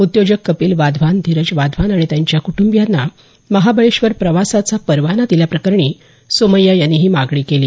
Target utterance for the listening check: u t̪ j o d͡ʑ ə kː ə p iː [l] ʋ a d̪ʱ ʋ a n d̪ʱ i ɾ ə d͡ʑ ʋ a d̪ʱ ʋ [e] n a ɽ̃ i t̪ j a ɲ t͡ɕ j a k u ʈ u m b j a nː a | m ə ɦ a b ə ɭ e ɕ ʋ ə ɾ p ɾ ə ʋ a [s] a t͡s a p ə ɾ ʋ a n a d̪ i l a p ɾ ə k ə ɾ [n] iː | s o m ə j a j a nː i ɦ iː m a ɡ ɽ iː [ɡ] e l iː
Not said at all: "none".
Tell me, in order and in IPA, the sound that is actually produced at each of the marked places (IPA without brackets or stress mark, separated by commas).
l, a, s, ɳ, k